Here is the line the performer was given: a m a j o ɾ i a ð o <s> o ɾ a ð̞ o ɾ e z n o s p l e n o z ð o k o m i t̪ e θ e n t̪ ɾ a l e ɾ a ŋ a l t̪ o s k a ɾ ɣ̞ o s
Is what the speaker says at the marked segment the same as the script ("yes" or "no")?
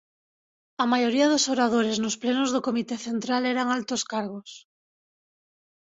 yes